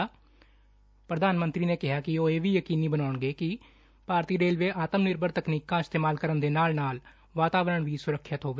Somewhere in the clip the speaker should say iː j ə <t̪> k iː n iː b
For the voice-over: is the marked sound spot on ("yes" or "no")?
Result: no